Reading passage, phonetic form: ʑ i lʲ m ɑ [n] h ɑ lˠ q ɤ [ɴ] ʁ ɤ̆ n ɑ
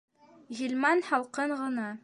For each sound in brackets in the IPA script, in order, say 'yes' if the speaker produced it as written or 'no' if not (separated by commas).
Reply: yes, yes